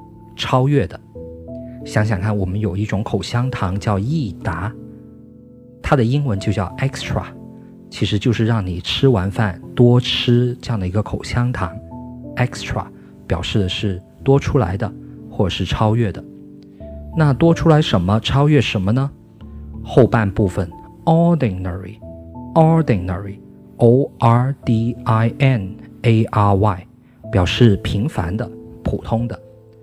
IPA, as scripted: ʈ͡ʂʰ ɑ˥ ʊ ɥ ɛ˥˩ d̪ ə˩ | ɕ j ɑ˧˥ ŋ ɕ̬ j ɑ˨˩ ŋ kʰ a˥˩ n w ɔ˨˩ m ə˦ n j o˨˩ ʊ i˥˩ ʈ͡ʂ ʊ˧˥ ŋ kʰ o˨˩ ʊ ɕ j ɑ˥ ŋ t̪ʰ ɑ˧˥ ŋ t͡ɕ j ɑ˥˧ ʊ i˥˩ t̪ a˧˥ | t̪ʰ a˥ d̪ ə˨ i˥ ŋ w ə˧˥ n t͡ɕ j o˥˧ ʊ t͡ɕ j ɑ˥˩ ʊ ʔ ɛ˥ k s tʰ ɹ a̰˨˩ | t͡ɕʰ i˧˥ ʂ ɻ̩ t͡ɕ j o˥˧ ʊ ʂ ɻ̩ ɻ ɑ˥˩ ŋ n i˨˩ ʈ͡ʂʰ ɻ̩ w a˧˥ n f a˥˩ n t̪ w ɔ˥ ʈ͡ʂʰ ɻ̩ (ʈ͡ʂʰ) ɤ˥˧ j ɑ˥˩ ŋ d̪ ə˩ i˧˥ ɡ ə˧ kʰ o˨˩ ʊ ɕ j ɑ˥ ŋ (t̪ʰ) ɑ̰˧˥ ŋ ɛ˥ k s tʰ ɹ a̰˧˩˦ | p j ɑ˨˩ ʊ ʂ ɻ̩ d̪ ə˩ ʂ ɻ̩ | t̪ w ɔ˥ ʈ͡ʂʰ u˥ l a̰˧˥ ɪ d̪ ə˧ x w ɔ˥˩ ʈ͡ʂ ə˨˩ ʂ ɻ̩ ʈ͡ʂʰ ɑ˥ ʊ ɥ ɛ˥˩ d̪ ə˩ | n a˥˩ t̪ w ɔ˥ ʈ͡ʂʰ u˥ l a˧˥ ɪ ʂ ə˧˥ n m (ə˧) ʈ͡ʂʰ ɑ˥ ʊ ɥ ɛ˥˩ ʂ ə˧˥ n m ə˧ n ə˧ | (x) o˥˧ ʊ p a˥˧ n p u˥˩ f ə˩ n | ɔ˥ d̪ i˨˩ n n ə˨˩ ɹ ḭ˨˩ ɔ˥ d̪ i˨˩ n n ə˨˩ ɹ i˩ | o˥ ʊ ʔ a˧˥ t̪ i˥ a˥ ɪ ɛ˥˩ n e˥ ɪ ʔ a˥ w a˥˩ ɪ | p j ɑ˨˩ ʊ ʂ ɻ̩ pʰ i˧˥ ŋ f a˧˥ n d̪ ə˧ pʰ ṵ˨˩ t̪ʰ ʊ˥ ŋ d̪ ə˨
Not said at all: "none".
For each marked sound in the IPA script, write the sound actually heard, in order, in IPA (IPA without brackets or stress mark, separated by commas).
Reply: ʈ͡ʂ, t̪ʰ, ə˧, x